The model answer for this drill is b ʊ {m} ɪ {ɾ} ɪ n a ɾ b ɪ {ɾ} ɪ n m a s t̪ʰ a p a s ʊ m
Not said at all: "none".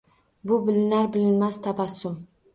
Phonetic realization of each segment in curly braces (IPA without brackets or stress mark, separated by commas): b, l, l